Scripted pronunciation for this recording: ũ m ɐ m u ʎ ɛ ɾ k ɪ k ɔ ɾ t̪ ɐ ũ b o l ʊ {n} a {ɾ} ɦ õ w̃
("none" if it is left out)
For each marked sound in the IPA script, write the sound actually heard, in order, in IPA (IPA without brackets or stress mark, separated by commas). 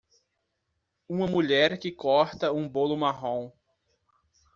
m, none